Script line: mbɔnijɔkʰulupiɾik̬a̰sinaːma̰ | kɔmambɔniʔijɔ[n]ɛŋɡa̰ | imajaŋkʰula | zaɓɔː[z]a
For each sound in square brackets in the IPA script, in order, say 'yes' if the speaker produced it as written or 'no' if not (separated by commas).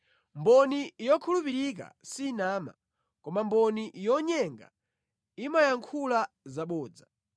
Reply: no, no